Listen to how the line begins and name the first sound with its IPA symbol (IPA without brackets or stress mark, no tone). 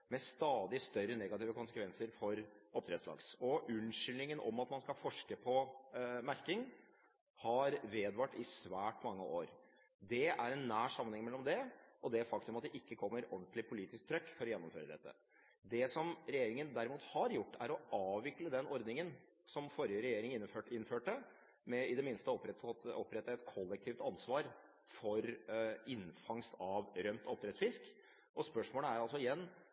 m